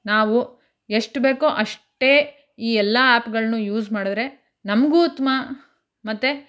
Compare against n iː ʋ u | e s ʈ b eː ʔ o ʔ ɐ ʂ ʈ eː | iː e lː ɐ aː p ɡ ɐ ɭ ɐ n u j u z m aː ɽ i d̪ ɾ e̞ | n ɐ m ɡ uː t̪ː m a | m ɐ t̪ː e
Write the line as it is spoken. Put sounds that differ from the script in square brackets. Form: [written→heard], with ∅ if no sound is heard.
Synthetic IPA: n [iː→aː] ʋ u | e [s→ʂ] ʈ b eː [ʔ→k] o ʔ ɐ ʂ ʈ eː | iː [e→ɛ] lː ɐ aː p ɡ ɐ ɭ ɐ n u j [u→uː] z m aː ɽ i d̪ ɾ e̞ | n ɐ m ɡ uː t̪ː m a | m ɐ t̪ː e